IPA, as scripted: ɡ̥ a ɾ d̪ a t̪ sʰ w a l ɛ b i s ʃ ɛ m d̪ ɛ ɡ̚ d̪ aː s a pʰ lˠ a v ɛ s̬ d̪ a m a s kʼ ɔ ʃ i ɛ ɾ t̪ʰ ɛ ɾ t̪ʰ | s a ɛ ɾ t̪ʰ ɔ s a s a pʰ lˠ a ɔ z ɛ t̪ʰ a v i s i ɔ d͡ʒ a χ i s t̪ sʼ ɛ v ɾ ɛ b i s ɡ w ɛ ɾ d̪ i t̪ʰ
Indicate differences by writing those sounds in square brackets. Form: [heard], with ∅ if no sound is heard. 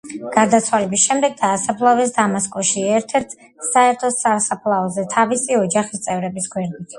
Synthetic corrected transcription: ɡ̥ a ɾ d̪ a t̪ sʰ w a l ɛ b i s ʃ ɛ m d̪ ɛ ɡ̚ d̪ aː s a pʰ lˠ a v ɛ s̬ d̪ a m a s kʼ ɔ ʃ i ɛ ɾ t̪ʰ ɛ ɾ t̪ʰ | s a ɛ ɾ t̪ʰ ɔ s a s a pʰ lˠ a ɔ z ɛ t̪ʰ a v i s i ɔ d͡ʒ a χ i s t̪ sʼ ɛ v ɾ ɛ b i s ɡ w ɛ ɾ d̪ i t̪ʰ

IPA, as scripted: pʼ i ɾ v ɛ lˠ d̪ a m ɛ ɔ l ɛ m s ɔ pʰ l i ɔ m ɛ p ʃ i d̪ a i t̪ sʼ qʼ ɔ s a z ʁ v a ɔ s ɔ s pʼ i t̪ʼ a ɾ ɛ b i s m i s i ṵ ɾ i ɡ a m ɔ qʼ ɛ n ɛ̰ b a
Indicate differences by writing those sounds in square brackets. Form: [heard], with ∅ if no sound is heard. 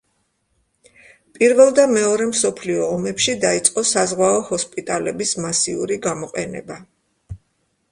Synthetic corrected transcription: pʼ i ɾ v ɛ lˠ d̪ a m ɛ ɔ [ɾ] ɛ m s ɔ pʰ l i [ɔː] m ɛ p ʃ i d̪ a i t̪ sʼ qʼ ɔ s a z ʁ [w] a ɔ [h] ɔ s pʼ i t̪ʼ a [l] ɛ b i s m [a] s i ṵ ɾ i ɡ a m ɔ qʼ ɛ n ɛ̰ b a

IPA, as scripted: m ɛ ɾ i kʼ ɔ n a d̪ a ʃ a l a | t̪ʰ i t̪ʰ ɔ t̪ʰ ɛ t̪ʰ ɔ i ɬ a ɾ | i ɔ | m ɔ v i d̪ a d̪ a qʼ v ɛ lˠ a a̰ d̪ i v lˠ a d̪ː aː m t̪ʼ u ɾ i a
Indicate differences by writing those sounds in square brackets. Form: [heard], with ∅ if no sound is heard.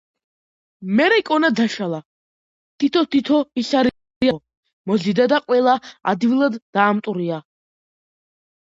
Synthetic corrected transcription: m ɛ ɾ [ɛ] kʼ ɔ n a d̪ a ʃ a l a | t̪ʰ i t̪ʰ ɔ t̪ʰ [i] t̪ʰ ɔ i ɬ a ɾ | i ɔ | m ɔ [z] i d̪ a d̪ a qʼ [w] ɛ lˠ a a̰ d̪ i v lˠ a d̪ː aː m t̪ʼ u ɾ i a

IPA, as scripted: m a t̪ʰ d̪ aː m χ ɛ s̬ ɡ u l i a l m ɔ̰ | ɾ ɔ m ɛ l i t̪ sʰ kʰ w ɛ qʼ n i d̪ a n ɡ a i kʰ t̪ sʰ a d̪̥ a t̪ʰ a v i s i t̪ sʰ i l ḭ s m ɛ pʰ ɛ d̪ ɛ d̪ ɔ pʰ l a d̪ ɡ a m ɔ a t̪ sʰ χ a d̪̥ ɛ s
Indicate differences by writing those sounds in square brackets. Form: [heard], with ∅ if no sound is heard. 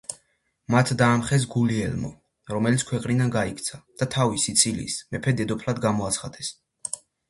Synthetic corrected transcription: m a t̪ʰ d̪ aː m χ ɛ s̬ ɡ u l i [ɛ] l m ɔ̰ | ɾ ɔ m ɛ l i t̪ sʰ kʰ w ɛ qʼ n i d̪ a n ɡ a i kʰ t̪ sʰ a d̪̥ a t̪ʰ a v i s i t̪ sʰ i l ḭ s m ɛ pʰ ɛ d̪ ɛ d̪ ɔ pʰ l a d̪ ɡ a m ɔ a t̪ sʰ χ a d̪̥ ɛ s

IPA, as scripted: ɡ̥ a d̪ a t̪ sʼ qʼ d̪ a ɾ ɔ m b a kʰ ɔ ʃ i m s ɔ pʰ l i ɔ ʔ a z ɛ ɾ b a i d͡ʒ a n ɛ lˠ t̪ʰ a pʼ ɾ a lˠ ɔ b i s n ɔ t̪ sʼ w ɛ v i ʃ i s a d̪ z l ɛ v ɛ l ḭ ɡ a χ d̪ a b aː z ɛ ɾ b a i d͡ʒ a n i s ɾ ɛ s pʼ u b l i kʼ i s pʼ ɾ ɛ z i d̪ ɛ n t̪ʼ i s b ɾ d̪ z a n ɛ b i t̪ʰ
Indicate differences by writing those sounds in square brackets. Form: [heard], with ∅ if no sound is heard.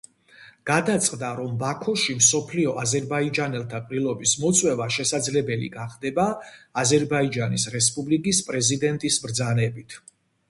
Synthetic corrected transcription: ɡ̥ a d̪ a t̪ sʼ qʼ d̪ a ɾ ɔ m b a kʰ ɔ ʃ i m s ɔ pʰ l i ɔ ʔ a z ɛ ɾ b a i d͡ʒ a n ɛ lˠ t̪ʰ a pʼ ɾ [i] lˠ ɔ b i s [m] ɔ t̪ sʼ w ɛ v [a] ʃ [ɛ] s a d̪ z l ɛ [b] ɛ l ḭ ɡ a χ d̪ [ɛ] b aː z ɛ ɾ b a i d͡ʒ a n i s ɾ ɛ s pʼ u b l i kʼ i s pʼ ɾ ɛ z i d̪ ɛ n t̪ʼ i s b ɾ d̪ z a n ɛ b i t̪ʰ

